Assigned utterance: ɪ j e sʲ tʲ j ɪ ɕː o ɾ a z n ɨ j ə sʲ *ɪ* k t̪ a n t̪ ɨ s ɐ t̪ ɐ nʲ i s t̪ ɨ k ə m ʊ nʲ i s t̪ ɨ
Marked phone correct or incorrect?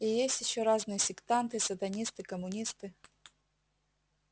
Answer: correct